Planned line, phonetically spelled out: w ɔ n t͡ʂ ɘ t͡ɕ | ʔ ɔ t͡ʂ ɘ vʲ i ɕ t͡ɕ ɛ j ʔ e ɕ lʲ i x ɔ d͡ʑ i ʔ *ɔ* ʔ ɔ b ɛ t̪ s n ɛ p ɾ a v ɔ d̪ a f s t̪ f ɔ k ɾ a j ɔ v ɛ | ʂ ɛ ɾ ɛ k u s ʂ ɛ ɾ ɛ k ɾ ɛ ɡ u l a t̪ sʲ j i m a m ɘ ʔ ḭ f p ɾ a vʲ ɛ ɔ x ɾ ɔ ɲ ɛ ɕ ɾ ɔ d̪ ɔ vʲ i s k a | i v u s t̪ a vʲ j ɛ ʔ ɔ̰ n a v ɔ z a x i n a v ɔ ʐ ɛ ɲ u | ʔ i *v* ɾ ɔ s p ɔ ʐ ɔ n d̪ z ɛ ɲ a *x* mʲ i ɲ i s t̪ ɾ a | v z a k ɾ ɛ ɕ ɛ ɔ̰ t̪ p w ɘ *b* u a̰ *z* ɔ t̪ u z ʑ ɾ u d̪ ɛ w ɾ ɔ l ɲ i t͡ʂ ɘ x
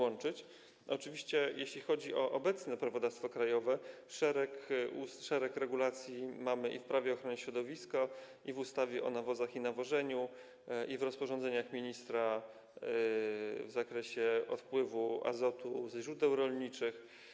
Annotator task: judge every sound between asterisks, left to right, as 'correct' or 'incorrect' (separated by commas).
correct, correct, correct, incorrect, correct